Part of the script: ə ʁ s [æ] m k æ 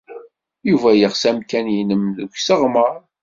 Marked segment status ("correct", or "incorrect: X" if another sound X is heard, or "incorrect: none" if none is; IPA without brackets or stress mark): correct